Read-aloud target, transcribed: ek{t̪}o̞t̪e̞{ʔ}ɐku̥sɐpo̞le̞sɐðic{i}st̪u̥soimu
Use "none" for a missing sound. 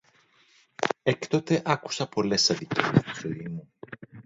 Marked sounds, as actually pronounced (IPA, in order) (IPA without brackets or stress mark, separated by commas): t̪, ʔ, e